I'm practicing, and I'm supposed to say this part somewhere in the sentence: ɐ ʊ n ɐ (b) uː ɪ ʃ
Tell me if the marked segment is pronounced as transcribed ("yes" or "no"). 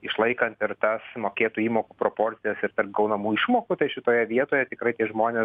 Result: no